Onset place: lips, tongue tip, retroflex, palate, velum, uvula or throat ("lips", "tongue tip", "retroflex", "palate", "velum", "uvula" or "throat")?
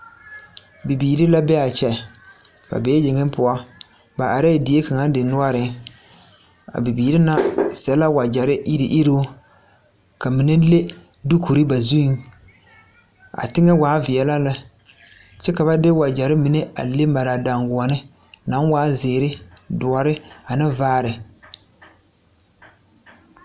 lips